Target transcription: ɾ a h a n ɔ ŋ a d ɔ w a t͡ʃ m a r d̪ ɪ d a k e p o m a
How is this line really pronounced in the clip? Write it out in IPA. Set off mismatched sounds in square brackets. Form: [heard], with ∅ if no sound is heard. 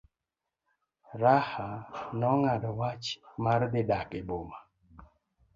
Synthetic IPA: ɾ a h a n ɔ ŋ a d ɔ w a t͡ʃ m a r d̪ ɪ d a k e [b] o m a

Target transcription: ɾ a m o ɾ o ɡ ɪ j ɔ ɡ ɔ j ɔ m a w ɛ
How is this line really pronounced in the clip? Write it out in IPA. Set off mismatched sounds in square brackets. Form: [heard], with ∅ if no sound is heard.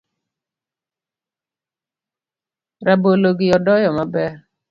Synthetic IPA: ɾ a [b] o [l] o ɡ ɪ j ɔ [d] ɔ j ɔ m a [b] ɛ

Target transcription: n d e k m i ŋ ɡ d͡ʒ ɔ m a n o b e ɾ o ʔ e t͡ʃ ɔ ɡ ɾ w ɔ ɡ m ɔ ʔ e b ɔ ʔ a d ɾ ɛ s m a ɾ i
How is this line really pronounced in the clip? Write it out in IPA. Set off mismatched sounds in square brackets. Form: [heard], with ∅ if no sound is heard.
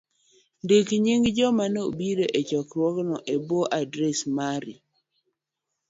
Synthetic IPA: n d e k [ɲ] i ŋ ɡ d͡ʒ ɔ m a n o b [i] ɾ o ʔ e t͡ʃ ɔ [k] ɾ w ɔ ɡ [n] ɔ ʔ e b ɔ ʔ a d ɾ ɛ s m a ɾ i

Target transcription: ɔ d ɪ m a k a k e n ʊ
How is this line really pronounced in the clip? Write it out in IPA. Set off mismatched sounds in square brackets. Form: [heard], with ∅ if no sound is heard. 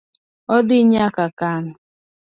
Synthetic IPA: ɔ d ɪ [ɲ] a k a k [a] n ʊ

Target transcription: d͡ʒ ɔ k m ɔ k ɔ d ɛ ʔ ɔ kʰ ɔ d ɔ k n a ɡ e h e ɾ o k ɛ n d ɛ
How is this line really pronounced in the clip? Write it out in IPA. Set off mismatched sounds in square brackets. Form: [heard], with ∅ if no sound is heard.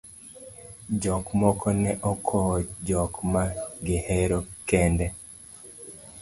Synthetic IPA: d͡ʒ ɔ k m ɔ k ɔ [n] ɛ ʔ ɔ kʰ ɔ [d͡ʒ] ɔ k [m] a ɡ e h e ɾ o k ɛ n d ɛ

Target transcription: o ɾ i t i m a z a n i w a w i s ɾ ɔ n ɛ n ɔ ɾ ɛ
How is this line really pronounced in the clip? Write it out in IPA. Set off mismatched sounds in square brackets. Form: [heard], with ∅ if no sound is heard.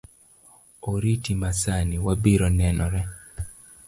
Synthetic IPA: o ɾ i t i m a [s] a n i w a [b] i [∅] ɾ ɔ n ɛ n ɔ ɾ ɛ

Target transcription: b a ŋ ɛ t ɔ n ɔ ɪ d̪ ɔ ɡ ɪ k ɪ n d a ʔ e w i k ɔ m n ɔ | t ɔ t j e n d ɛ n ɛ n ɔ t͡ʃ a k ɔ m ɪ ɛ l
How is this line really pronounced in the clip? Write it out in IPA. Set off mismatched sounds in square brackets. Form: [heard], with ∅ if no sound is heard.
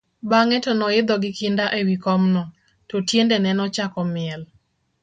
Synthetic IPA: b a ŋ ɛ t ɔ n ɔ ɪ d̪ ɔ ɡ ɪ k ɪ n d a ʔ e w i k ɔ m n ɔ | t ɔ t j e n d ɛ n ɛ n ɔ t͡ʃ a k ɔ m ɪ ɛ l

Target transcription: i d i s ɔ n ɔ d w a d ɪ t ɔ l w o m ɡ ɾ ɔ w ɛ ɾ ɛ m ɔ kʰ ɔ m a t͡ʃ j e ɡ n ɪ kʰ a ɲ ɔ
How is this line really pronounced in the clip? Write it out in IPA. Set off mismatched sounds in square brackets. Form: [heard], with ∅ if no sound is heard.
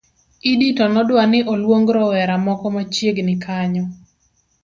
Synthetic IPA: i d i [t] ɔ n ɔ d w a [n] ɪ [ʔ] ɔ l w o [ŋ] ɡ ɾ ɔ w ɛ ɾ [a] m ɔ [k] ɔ m a t͡ʃ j e ɡ n ɪ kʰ a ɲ ɔ

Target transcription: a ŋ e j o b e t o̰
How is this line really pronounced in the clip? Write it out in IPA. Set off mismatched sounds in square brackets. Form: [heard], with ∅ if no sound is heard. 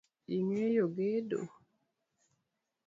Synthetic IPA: [i] ŋ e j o [ɡ] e [d] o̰

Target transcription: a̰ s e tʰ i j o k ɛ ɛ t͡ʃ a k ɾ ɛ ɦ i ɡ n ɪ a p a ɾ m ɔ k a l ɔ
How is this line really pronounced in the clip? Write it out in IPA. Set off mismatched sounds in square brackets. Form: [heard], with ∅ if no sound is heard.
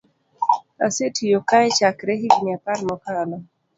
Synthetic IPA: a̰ s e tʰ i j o k [a] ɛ t͡ʃ a k ɾ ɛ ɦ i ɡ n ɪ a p a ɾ m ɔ k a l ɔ

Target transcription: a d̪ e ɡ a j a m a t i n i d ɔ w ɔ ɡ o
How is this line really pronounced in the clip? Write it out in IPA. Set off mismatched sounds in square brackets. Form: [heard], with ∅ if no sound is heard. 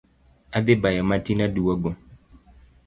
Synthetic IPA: a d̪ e [b] a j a m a t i n [a] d [u] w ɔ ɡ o

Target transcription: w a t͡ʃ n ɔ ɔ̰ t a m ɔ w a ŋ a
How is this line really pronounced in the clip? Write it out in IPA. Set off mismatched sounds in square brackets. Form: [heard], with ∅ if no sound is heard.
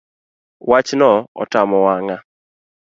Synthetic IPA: w a t͡ʃ n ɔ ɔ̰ t a m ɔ w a ŋ a

